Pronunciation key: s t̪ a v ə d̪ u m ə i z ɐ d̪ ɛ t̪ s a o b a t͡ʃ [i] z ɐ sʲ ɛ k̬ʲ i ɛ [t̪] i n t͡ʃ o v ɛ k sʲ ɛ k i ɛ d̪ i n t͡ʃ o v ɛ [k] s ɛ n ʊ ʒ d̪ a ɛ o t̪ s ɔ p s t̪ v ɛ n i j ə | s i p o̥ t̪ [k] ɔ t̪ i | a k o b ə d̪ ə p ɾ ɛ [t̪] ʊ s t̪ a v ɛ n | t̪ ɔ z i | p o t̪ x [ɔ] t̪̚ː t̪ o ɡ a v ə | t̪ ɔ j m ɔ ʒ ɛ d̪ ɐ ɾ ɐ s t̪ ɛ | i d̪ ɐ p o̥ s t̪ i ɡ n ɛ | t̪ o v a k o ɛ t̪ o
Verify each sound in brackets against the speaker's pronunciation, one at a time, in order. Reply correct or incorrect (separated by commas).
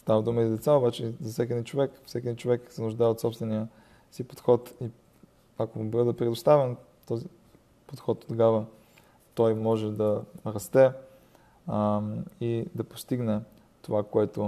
incorrect, incorrect, correct, incorrect, incorrect, correct